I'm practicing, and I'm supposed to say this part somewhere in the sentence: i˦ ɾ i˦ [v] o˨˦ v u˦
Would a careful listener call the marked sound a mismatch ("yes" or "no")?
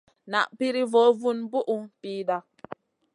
no